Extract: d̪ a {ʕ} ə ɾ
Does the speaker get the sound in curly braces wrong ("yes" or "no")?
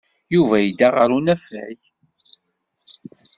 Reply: yes